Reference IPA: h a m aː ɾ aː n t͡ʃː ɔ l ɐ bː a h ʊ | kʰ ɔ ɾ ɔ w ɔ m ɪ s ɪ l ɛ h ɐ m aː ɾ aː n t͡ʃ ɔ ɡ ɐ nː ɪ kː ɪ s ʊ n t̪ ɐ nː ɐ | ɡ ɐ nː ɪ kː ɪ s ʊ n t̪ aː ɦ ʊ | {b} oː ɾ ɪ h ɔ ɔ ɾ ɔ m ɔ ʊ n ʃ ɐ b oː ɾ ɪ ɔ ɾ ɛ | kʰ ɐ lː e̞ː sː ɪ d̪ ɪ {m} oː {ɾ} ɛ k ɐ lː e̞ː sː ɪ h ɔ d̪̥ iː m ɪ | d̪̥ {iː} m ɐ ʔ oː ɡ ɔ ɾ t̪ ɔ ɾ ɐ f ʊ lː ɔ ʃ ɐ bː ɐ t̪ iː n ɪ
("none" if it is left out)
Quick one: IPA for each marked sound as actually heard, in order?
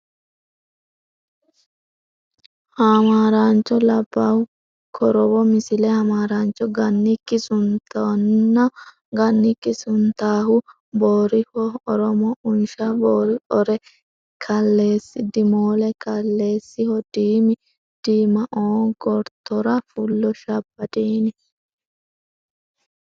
b, m, l, iː

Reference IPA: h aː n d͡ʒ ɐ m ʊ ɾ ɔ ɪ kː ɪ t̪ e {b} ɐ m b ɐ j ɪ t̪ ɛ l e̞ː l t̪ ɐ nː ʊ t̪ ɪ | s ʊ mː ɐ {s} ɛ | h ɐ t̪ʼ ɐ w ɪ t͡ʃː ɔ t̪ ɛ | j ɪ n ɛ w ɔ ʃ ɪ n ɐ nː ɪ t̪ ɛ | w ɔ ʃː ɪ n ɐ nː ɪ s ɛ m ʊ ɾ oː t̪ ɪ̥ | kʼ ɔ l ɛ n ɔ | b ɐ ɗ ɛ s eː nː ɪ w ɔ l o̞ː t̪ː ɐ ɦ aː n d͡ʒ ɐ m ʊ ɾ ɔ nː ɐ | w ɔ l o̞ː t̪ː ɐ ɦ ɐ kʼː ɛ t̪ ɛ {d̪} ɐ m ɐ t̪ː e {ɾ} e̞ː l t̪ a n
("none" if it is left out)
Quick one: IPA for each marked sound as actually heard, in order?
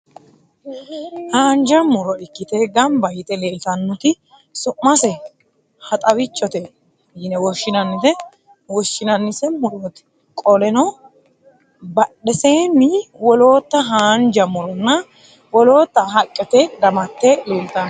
ɡ, s, d̪, l

